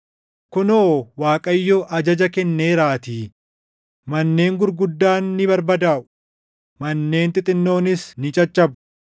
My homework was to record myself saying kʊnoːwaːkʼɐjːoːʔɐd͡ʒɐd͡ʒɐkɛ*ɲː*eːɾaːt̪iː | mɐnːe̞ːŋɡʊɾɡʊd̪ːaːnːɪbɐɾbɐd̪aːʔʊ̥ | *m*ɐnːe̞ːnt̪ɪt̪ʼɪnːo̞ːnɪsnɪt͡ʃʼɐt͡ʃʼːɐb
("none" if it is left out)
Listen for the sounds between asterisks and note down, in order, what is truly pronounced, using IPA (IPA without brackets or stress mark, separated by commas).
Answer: nː, m